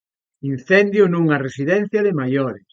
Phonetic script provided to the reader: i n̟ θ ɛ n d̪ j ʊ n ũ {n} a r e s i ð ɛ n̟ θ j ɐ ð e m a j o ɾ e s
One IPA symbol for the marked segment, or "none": ŋ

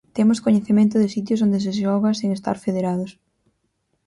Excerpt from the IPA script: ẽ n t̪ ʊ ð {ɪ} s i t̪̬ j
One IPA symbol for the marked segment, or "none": ɪ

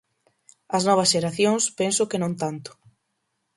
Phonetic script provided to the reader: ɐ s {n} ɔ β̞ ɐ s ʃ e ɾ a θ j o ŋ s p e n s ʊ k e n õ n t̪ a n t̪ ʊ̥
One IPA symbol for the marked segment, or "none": n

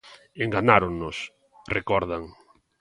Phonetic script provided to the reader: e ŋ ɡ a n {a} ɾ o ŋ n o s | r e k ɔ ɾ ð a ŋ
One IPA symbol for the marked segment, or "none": a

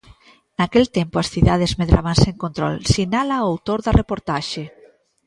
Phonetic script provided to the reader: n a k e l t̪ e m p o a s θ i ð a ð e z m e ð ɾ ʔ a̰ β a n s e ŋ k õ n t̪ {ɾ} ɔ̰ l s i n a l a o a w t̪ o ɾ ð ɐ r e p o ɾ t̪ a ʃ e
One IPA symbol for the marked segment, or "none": ɾ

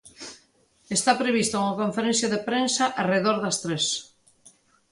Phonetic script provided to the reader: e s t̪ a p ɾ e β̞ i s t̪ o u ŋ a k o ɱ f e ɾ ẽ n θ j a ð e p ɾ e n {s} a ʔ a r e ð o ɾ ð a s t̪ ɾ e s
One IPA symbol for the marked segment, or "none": s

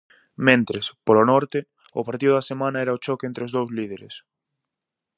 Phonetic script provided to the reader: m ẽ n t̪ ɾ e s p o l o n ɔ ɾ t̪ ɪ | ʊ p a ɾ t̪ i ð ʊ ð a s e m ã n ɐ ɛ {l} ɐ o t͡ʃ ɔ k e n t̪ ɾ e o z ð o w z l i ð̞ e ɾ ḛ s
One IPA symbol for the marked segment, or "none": ɾ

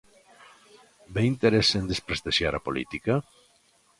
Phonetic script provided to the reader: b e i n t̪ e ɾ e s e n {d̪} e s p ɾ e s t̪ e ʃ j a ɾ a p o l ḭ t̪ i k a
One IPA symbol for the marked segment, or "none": d̪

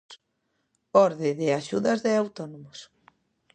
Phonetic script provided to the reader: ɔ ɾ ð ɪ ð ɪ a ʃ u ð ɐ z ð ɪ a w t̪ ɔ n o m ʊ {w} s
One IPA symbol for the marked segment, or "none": none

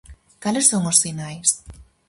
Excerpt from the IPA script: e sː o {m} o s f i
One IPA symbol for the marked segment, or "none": ŋ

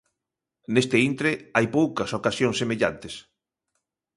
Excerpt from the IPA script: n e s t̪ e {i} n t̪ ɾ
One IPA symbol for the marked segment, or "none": i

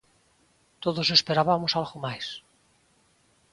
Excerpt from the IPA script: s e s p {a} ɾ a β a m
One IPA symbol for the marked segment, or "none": e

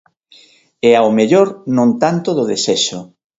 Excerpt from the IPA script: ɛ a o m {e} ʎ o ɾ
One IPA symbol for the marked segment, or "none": e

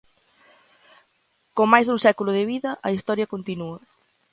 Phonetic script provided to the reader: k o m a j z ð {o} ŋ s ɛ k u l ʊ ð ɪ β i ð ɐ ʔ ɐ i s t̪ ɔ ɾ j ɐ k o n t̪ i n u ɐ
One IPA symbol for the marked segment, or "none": u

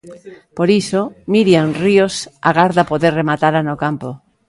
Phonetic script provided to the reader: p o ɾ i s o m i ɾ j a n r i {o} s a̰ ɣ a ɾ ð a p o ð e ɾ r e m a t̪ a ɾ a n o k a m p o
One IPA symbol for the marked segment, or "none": o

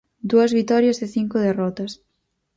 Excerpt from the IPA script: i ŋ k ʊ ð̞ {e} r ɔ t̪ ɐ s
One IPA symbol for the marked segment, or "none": e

